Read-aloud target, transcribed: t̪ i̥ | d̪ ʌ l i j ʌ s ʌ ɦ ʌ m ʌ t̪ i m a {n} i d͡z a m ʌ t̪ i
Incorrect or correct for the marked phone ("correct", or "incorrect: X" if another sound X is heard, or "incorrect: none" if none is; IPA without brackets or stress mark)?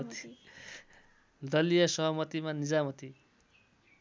correct